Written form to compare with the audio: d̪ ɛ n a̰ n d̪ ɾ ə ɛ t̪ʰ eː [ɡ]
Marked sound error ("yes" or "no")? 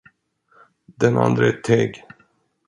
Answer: no